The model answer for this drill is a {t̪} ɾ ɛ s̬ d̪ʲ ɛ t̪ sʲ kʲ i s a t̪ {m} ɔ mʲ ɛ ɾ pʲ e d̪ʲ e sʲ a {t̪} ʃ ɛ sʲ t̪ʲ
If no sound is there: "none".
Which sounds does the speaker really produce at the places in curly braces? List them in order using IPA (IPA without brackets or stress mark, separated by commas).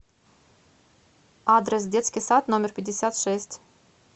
d̪, n, t̪